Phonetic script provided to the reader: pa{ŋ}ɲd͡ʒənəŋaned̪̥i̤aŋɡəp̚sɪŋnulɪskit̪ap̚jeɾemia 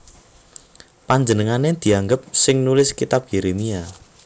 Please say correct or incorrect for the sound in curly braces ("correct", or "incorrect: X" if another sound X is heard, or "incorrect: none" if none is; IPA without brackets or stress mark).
incorrect: none